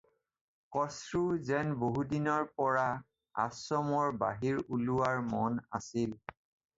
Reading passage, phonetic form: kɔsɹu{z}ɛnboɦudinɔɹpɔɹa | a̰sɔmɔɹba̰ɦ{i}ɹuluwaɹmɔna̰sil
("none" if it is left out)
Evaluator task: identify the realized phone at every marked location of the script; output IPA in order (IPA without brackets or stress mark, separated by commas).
z, i